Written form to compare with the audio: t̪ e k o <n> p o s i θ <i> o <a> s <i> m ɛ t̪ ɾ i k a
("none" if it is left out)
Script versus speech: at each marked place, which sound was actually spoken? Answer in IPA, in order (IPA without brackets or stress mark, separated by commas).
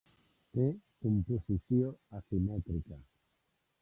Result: m, j, a, i